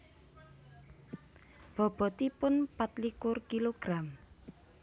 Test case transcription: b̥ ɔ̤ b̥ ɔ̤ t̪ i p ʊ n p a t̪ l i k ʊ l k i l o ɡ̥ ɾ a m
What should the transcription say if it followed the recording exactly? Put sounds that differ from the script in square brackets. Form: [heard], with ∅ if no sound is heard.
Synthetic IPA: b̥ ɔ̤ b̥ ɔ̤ t̪ i p ʊ n p a t̪ l i k ʊ [r] k i l o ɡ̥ ɾ a m